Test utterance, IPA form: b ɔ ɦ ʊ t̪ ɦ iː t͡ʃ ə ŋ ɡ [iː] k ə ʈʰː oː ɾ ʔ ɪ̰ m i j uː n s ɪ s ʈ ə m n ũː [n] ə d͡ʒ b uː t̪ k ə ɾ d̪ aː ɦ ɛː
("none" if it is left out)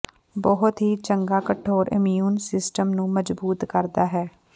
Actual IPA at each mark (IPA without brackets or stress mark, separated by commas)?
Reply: aː, m